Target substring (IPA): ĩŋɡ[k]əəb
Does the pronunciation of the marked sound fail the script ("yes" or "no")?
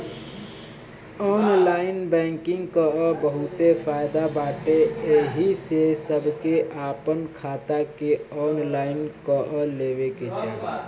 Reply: no